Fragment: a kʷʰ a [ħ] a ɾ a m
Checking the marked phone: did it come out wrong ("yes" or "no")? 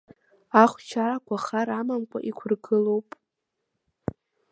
yes